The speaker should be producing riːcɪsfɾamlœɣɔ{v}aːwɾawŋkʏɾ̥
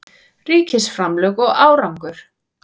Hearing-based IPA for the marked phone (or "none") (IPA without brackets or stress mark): ɣ